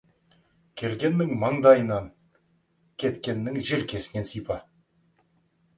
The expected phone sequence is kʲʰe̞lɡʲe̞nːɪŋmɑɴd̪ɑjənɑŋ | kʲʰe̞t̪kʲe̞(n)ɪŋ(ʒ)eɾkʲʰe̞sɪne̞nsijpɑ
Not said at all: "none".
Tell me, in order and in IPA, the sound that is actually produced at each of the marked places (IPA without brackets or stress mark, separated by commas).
nː, ʒ